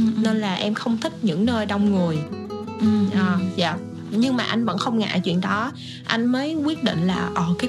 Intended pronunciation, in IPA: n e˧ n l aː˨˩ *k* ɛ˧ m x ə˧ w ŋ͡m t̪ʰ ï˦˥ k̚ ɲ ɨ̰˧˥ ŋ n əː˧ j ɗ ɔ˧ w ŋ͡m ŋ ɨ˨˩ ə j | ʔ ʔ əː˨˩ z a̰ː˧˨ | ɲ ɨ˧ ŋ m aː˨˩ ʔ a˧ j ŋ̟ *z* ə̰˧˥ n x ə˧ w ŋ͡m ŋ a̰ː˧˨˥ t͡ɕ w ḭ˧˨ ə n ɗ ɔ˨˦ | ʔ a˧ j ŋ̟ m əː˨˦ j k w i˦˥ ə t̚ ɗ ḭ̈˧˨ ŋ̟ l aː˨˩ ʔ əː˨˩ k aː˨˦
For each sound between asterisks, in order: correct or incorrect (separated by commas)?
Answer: incorrect, incorrect